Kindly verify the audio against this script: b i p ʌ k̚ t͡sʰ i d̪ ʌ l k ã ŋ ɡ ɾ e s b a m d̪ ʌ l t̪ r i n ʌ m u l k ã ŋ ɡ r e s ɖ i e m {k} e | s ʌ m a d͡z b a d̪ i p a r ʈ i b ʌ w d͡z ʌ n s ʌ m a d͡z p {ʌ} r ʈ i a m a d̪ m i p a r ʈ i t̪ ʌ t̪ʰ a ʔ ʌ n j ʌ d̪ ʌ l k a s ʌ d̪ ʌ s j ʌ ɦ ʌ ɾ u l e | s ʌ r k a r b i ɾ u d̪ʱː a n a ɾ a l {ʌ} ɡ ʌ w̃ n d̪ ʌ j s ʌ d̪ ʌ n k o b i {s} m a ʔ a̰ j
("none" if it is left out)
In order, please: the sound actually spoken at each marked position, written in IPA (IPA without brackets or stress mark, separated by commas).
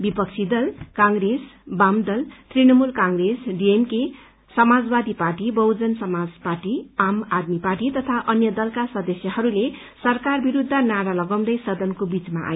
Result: k, a, ʌ, t͡s